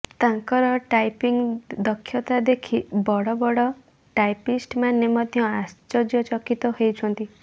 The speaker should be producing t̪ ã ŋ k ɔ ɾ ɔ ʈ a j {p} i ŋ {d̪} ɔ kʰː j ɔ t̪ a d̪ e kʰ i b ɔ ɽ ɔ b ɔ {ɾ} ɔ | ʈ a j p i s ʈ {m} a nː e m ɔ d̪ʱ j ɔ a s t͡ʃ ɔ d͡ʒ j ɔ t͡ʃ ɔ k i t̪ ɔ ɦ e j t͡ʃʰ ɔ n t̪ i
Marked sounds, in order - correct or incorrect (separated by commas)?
correct, correct, incorrect, correct